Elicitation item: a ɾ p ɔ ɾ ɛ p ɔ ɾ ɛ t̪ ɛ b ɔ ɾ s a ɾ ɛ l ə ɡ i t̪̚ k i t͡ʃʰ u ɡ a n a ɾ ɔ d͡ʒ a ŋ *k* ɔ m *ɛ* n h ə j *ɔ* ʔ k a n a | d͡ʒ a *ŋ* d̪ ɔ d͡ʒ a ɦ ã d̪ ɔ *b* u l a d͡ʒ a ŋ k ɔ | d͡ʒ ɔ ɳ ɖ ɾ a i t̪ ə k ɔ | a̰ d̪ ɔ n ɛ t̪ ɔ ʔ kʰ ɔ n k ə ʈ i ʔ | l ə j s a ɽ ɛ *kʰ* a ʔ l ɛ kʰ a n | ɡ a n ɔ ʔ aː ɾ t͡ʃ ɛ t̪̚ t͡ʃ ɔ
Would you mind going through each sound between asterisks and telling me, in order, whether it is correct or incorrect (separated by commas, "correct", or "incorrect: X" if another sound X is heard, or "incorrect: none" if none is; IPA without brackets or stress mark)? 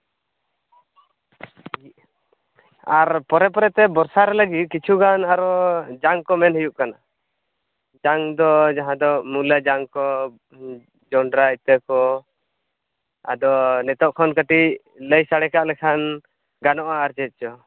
correct, correct, incorrect: u, correct, incorrect: m, incorrect: k